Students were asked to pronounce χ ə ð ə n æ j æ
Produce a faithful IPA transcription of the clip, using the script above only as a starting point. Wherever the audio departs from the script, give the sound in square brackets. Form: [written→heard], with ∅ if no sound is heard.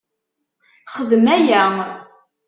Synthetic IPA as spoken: χ ə ð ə [n→m] æ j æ